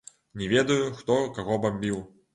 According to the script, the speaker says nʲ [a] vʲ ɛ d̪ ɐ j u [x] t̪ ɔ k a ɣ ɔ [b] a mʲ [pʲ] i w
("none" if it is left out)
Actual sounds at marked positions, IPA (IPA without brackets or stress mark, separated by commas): ɛ, x, b, bʲ